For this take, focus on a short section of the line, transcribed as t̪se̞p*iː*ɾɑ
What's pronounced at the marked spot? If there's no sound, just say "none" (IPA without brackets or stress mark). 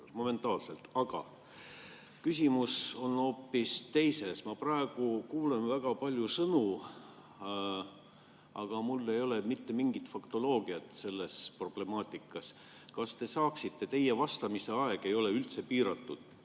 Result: iː